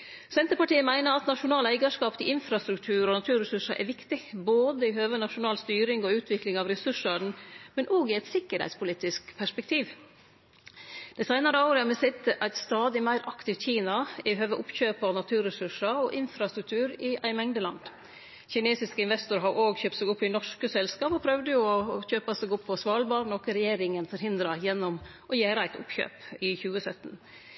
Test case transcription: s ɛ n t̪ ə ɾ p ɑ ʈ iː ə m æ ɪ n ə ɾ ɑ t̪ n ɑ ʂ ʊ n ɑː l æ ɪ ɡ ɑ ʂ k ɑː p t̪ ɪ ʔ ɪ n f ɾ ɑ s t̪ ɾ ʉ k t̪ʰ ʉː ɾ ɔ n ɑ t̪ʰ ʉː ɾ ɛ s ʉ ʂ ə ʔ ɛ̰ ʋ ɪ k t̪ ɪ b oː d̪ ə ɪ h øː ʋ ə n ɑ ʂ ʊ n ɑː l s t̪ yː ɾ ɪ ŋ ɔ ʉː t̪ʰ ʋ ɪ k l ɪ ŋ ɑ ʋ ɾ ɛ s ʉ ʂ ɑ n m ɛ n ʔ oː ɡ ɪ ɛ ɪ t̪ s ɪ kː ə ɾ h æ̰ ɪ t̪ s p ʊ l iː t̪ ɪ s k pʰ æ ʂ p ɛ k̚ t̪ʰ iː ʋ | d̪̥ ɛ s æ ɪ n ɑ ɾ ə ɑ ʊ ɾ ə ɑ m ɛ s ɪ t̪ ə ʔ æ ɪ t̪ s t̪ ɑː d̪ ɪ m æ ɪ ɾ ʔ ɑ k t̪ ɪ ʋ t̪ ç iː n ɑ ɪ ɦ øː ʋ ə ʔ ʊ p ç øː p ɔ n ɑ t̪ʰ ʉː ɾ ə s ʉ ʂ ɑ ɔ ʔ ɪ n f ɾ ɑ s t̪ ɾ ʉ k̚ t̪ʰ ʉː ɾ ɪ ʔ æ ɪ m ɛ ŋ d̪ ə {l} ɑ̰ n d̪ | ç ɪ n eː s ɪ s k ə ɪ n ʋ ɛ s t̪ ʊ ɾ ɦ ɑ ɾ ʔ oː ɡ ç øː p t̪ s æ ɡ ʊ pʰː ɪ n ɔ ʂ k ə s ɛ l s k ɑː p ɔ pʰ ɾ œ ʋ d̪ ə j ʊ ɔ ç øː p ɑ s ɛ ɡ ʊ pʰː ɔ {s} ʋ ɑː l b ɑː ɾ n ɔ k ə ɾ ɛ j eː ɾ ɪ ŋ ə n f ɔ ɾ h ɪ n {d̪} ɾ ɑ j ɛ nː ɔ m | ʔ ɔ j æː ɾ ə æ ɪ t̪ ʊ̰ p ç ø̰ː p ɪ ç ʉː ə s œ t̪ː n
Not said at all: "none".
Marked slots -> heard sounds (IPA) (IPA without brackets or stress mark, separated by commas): l, s, d̪